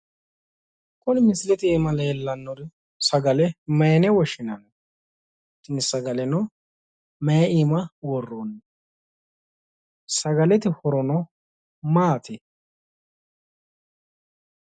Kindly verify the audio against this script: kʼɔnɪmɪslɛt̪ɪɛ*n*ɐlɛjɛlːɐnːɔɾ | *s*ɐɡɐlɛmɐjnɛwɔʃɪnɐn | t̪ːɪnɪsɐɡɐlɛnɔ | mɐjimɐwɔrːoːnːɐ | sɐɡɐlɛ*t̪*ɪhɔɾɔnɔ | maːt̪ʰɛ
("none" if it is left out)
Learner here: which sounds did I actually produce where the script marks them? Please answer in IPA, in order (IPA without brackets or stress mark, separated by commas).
m, s, t̪